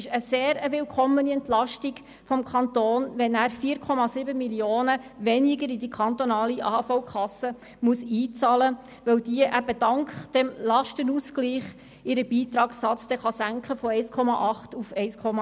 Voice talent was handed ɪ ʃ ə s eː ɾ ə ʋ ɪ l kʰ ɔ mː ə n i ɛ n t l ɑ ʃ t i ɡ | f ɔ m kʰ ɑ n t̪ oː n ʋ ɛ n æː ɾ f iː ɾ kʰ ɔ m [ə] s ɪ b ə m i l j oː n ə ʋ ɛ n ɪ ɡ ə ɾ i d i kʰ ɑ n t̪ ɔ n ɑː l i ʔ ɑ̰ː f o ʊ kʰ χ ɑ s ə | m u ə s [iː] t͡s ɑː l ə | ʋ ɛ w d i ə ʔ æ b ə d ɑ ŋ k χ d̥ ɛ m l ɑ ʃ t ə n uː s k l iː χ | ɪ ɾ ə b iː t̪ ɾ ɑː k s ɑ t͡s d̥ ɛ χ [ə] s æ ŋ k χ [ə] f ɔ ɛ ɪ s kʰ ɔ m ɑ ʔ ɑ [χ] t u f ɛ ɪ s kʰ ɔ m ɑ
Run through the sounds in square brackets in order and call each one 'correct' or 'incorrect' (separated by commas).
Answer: incorrect, correct, incorrect, correct, correct